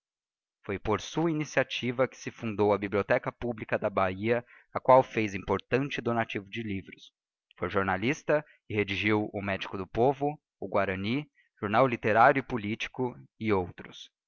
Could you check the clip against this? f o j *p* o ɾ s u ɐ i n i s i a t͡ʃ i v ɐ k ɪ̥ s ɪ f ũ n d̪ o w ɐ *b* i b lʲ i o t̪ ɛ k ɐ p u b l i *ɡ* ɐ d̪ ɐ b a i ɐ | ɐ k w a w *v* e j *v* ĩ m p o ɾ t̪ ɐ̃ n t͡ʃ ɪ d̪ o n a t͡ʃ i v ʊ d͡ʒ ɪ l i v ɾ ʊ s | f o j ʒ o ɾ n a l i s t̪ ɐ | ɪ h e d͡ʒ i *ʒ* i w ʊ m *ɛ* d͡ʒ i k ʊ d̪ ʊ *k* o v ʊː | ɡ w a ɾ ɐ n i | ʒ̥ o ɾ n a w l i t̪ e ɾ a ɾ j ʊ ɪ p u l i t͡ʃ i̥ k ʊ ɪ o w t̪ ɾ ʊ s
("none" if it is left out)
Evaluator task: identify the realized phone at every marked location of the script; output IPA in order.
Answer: p, b, k, f, z, ʒ, ɛ, p

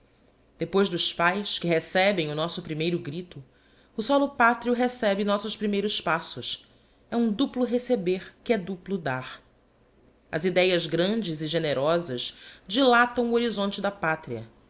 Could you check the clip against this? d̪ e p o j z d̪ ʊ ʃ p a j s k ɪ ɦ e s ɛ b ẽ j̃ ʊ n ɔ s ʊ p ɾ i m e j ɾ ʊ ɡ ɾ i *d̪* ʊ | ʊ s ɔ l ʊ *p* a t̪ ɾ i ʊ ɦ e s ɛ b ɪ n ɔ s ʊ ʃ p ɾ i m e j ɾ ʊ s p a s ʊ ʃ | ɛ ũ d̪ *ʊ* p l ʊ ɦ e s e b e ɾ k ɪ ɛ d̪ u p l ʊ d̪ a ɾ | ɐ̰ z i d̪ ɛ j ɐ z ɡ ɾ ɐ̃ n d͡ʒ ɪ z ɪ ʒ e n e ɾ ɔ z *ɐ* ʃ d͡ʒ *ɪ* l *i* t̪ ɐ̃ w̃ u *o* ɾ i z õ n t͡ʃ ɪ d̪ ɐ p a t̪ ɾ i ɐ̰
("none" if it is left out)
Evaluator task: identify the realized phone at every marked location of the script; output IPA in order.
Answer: t̪, p, u, ɐ, i, a, o

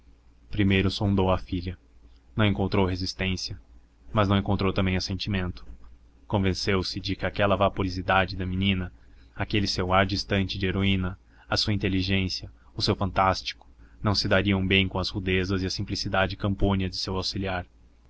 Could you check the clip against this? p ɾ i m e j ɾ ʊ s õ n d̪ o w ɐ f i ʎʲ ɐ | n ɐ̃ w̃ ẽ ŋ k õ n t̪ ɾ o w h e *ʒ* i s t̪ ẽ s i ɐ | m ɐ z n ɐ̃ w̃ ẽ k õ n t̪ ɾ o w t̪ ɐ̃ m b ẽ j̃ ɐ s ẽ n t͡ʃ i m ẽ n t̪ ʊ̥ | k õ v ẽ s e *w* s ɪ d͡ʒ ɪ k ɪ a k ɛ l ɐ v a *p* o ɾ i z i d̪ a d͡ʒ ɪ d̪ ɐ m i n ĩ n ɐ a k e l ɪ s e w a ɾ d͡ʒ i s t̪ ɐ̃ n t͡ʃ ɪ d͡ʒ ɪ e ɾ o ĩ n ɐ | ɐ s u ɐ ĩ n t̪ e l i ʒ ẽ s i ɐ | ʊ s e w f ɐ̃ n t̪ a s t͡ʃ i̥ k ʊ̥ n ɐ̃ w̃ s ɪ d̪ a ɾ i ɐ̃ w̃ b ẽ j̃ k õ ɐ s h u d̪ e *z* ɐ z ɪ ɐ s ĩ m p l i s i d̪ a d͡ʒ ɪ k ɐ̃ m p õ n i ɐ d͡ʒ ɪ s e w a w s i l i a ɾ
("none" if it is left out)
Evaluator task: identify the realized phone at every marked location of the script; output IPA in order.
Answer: z, w, p, z

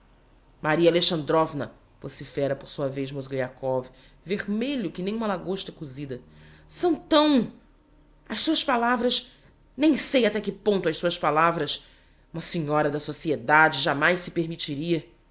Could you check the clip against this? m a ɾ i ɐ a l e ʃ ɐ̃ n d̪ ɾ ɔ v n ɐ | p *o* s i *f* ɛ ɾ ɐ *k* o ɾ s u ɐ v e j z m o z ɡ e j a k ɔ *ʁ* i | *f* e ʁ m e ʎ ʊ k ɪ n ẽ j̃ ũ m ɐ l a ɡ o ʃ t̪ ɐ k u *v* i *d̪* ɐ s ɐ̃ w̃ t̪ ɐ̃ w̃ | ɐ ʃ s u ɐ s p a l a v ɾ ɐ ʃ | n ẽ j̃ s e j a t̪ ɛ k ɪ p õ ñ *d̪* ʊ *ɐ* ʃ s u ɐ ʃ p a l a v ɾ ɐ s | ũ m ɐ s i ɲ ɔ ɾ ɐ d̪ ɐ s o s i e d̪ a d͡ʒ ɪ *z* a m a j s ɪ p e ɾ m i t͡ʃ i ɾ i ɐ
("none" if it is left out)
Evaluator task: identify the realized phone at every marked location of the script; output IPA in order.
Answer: o, f, p, v, v, z, d̪, t̪, ɐ, ʒ

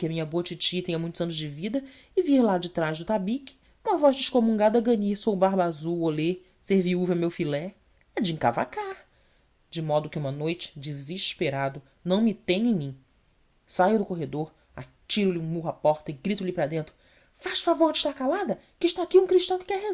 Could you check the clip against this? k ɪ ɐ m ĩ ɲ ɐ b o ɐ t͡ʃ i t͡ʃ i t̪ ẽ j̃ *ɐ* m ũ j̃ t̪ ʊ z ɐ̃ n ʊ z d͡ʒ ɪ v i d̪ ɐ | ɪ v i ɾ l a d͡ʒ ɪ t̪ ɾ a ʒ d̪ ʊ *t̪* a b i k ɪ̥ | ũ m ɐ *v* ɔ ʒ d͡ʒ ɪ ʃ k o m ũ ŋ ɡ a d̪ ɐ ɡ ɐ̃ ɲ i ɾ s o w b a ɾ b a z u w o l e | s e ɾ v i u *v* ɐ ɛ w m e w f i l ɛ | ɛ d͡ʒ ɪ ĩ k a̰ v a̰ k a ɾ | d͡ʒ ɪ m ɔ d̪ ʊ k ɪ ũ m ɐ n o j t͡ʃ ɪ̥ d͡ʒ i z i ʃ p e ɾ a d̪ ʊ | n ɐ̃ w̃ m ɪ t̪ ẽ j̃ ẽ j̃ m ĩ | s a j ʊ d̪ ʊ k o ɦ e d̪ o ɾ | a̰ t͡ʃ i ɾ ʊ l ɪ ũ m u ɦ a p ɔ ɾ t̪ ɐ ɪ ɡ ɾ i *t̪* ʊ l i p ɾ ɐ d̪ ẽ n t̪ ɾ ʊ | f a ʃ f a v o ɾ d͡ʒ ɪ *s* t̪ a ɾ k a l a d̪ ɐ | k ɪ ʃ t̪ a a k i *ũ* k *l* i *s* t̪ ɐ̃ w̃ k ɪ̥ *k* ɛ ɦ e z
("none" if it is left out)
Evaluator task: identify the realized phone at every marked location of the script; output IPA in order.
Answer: ɐ, t̪, v, v, t̪, ʃ, ũ, ɾ, ʃ, k

